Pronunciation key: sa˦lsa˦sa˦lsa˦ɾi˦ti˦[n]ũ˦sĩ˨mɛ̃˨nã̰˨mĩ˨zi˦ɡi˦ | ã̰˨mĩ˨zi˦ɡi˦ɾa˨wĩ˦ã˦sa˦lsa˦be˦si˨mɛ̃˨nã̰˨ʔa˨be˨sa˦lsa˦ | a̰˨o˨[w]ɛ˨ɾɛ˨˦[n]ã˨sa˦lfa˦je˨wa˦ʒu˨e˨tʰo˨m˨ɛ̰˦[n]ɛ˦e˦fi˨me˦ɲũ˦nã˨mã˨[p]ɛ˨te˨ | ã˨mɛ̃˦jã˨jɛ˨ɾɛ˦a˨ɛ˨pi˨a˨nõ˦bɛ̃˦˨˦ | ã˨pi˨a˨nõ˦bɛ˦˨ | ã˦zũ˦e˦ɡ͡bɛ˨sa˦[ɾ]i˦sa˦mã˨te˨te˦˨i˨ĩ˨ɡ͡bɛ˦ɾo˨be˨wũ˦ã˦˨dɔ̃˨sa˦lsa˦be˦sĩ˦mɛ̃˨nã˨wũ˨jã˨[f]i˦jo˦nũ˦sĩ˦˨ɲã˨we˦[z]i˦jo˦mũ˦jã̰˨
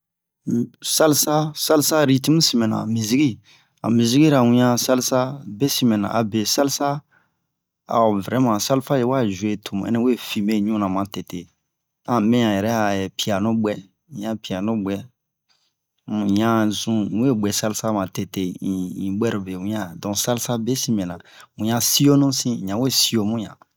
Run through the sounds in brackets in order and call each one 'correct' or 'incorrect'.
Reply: incorrect, incorrect, incorrect, correct, incorrect, incorrect, incorrect, incorrect

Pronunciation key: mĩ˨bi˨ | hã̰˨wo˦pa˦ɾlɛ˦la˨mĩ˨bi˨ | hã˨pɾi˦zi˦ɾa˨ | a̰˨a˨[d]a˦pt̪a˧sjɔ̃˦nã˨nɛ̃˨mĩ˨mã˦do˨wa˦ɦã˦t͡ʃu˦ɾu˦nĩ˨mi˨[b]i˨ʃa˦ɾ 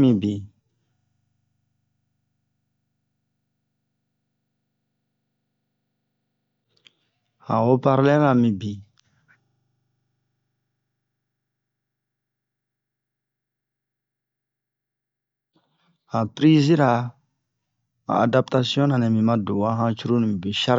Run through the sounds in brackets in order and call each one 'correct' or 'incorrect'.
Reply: correct, correct

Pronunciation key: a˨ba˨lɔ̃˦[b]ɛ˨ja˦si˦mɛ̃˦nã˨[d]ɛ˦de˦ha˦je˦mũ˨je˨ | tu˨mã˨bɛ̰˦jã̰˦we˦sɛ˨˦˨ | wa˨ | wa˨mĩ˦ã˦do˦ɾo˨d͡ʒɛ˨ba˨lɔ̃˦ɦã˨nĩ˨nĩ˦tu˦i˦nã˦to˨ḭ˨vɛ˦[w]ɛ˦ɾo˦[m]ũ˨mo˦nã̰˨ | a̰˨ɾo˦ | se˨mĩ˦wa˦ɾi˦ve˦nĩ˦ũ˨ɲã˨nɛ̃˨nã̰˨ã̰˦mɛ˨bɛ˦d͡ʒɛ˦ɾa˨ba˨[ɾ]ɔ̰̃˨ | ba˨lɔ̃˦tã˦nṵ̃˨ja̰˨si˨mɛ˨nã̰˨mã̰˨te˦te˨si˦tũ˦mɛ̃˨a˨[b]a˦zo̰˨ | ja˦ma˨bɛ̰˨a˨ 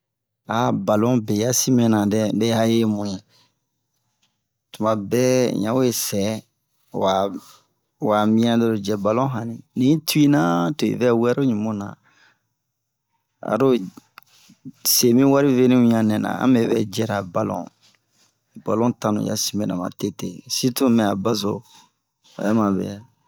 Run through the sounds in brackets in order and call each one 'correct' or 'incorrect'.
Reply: correct, correct, correct, incorrect, incorrect, correct

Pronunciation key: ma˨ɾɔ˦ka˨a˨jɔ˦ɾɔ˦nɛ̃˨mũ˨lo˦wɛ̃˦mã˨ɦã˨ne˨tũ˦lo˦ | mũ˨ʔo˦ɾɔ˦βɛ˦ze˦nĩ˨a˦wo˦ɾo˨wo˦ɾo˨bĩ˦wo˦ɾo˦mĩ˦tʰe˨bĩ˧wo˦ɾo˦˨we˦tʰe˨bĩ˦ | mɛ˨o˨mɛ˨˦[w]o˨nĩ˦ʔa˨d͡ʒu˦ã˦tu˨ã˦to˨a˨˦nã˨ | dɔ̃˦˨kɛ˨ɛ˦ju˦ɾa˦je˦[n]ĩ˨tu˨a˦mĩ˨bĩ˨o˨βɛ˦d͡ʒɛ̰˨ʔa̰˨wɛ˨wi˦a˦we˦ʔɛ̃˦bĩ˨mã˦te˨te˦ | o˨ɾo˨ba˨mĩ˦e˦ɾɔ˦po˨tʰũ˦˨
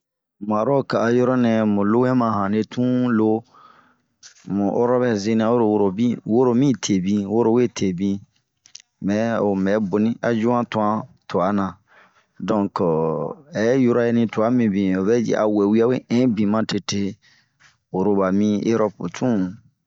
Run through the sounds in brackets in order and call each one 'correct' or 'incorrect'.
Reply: incorrect, correct

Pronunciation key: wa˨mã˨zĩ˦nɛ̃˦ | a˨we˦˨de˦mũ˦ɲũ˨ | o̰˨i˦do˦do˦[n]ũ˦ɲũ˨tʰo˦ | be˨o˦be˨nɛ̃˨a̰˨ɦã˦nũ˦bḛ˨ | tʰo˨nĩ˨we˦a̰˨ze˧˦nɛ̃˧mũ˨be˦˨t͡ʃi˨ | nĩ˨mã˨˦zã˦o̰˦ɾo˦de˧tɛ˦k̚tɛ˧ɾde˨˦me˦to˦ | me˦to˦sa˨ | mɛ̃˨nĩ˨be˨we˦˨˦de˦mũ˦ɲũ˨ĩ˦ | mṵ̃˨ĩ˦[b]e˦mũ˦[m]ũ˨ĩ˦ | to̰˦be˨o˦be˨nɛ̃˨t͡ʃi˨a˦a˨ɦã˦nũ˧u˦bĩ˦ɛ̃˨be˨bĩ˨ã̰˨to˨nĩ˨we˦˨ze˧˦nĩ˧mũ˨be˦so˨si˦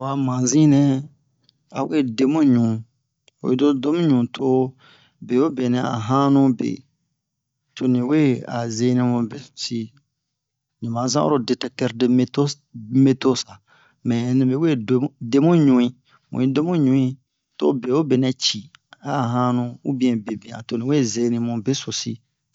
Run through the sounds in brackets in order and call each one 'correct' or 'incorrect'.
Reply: incorrect, incorrect, incorrect

